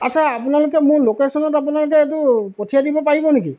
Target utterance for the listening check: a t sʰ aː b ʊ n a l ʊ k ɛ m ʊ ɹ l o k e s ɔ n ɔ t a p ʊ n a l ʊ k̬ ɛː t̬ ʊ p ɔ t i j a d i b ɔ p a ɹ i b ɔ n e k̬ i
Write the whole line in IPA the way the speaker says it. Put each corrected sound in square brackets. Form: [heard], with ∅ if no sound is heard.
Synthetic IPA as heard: a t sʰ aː [p] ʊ n a l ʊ k ɛ m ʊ ɹ l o k e s ɔ n ɔ t a p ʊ n a l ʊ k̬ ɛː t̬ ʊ p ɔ [tʰ] i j a d i b ɔ p a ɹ i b ɔ n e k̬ i